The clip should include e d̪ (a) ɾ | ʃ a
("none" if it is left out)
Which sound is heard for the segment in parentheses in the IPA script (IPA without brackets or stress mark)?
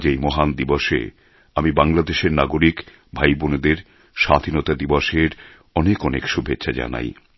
e